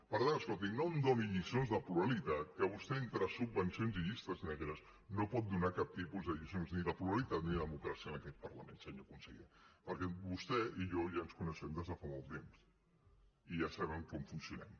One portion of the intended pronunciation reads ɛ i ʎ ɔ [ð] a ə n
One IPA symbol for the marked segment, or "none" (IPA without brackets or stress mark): ʒ